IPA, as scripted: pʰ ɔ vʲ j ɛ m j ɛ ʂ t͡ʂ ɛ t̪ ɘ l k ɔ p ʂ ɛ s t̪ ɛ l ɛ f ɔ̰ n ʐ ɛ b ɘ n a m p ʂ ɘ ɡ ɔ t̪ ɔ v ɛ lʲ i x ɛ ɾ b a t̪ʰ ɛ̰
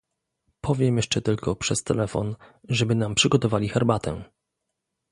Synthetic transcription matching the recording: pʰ ɔ vʲ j ɛ m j ɛ ʂ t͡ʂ ɛ t̪ ɘ l k ɔ p ʂ ɛ s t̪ ɛ l ɛ f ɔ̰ n ʐ ɛ b ɘ n a m p ʂ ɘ ɡ ɔ t̪ ɔ v a lʲ i x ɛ ɾ b a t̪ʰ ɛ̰

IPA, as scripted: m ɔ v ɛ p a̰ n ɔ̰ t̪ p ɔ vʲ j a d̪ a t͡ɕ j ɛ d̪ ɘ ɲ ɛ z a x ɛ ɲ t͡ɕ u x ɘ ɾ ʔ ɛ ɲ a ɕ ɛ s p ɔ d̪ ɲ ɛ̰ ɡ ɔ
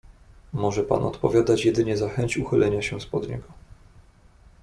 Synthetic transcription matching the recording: m ɔ ʐ ɛ p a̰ n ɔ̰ t̪ p ɔ vʲ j a d̪ a t͡ɕ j ɛ d̪ ɘ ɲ ɛ z a x ɛ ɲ t͡ɕ u x ɘ l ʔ ɛ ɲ a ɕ ɛ s p ɔ d̪ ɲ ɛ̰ ɡ ɔ

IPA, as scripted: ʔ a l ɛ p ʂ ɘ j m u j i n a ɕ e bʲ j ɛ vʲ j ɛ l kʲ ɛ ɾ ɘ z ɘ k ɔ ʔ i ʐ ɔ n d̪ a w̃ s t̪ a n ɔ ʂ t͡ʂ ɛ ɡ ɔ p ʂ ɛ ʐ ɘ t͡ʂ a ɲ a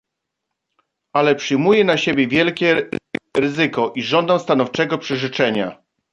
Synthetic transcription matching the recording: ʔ a l ɛ p ʂ ɘ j m u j ɛ n a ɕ e bʲ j ɛ vʲ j ɛ l kʲ ɛ ɾ ɘ z ɘ k ɔ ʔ i ʐ ɔ n d̪ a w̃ s t̪ a n ɔ f t͡ʂ ɛ ɡ ɔ p ʂ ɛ ʐ ɘ t͡ʂ ɛ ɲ a

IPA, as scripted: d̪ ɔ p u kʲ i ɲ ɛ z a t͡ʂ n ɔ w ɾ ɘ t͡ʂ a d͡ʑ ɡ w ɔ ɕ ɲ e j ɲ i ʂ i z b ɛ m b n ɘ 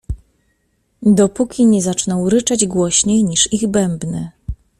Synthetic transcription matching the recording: d̪ ɔ p u kʲ i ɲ ɛ z a t͡ʂ n ɔ w ɾ ɘ t͡ʂ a d͡ʑ ɡ w ɔ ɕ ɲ e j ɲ i ʂ i ɣ b ɛ m b n ɘ

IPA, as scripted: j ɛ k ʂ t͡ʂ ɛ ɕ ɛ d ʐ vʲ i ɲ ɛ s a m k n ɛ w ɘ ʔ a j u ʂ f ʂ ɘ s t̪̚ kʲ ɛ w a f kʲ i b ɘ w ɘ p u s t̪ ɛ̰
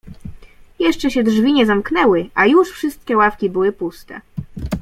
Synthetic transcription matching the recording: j ɛ ʂ t͡ʂ ɛ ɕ ɛ d ʐ vʲ i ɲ ɛ z a m k n ɛ w ɘ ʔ a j u ʂ f ʂ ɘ s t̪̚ kʲ ɛ w a f kʲ i b ɘ w ɘ p u s t̪ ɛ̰

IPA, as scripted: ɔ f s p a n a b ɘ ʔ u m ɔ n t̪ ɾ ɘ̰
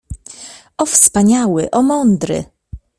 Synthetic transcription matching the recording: ɔ f s p a ɲ a w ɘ ʔ ɔ m ɔ n d̪ ɾ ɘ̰

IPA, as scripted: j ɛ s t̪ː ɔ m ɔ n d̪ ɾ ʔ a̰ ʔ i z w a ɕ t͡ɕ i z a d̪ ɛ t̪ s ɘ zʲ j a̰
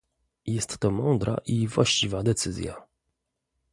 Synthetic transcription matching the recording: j ɛ s t̪ː ɔ m ɔ n d̪ ɾ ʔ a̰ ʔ i v w a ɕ t͡ɕ i v a d̪ ɛ t̪ s ɘ zʲ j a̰

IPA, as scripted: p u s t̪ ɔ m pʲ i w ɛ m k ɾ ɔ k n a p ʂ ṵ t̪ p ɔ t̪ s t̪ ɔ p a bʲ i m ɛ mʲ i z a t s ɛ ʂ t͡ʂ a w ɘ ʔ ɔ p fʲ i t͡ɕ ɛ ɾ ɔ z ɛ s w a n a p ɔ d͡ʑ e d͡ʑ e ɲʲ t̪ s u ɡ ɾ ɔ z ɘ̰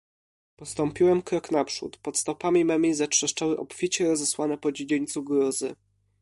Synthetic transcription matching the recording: p ɔ s t̪ ɔ m pʲ i w ɛ m k ɾ ɔ k n a p ʂ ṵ t̪ p ɔ t̪ s t̪ ɔ p a mʲ i m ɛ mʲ i z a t ʂ ɛ ʂ t͡ʂ a w ɘ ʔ ɔ p fʲ i t͡ɕ ɛ ɾ ɔ z ɛ s w a n ɛ p ɔ d͡ʑ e d͡ʑ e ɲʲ t̪ s u ɡ ɾ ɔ z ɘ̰

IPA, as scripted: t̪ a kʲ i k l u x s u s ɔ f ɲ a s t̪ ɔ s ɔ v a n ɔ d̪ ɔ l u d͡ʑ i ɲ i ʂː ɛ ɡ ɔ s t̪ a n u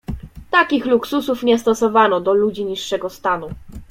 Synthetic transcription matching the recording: t̪ a kʲ i x l u k s u s u f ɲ ɛ s t̪ ɔ s ɔ v a n ɔ d̪ ɔ l u d͡ʑ i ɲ i ʂː ɛ ɡ ɔ s t̪ a n u

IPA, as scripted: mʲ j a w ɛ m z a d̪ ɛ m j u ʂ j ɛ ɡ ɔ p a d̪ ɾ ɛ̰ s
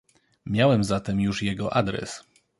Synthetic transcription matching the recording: mʲ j a w ɛ m z a t̪ ɛ m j u ʂ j ɛ ɡ ɔ ʔ a d̪ ɾ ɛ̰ s

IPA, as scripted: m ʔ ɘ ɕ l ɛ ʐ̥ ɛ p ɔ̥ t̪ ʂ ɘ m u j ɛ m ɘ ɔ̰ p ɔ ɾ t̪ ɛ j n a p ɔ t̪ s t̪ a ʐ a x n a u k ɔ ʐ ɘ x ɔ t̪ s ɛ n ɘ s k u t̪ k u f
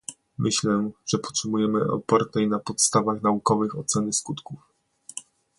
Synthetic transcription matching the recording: m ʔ ɘ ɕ l ɛ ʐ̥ ɛ p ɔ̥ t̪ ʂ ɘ m u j ɛ m ɘ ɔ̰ p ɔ ɾ t̪ ɛ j n a p ɔ t̪ s t̪ a v a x n a u k ɔ v ɘ x ɔ t̪ s ɛ n ɘ s k u t̪ k u f

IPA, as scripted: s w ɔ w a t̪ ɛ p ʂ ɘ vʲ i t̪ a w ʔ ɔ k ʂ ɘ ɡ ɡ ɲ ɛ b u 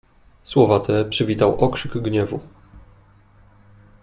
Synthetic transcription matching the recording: s w ɔ v a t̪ ɛ p ʂ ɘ vʲ i t̪ a w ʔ ɔ k ʂ ɘ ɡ ɡ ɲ ɛ v u

